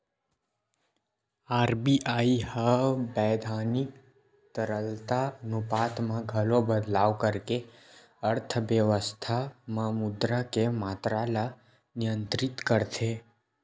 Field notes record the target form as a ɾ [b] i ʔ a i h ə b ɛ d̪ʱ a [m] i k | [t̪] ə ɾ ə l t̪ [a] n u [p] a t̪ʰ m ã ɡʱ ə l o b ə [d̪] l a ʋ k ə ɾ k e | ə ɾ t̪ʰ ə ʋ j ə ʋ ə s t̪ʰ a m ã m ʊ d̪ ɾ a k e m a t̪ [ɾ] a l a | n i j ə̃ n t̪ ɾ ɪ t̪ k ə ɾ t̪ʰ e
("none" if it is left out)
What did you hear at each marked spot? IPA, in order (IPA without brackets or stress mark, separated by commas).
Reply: b, n, t̪, a, p, d̪, ɾ